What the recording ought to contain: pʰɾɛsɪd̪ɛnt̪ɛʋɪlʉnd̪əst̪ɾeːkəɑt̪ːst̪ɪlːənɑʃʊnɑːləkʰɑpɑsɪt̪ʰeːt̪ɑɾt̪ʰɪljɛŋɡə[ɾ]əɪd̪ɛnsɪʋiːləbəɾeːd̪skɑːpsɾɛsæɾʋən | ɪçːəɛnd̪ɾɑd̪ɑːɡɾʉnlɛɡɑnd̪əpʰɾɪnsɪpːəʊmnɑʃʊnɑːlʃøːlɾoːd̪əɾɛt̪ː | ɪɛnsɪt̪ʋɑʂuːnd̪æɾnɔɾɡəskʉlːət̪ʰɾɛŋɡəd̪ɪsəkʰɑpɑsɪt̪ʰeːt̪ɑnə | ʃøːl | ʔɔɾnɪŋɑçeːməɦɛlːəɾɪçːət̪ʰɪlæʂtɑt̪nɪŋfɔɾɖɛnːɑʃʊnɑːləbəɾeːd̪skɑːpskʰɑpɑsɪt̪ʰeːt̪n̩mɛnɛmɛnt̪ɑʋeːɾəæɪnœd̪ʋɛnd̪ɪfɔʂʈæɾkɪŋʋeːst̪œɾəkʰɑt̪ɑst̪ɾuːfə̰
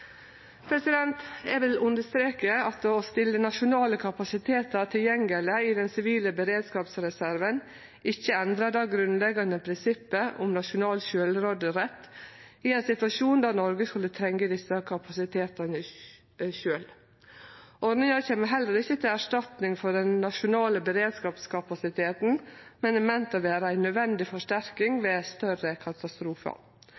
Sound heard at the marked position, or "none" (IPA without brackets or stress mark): l